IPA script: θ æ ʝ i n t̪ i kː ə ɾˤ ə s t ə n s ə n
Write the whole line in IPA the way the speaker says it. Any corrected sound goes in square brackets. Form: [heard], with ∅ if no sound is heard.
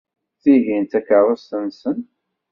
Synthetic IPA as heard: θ [i] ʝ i n t̪ [æ] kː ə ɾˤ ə s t ə n s ə n